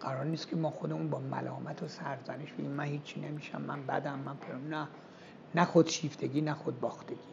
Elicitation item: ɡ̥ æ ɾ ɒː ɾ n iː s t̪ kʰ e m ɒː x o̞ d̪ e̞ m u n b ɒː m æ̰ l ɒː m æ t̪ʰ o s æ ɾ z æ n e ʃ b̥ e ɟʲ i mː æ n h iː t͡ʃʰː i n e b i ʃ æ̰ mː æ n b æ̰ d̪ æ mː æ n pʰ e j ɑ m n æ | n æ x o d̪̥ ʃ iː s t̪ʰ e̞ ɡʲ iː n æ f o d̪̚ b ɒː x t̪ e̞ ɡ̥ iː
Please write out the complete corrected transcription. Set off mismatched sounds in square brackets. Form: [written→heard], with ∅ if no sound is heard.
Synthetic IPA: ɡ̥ æ ɾ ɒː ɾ n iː s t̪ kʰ e m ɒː x o̞ d̪ e̞ m u n b ɒː m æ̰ l ɒː m æ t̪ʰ o s æ ɾ z æ n e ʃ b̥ e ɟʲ i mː æ n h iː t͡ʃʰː i n e [b→m] i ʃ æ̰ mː æ n b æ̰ d̪ æ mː æ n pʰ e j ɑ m n æ | n æ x o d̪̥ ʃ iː [s→f] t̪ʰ e̞ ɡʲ iː n æ [f→x] o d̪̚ b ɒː x t̪ e̞ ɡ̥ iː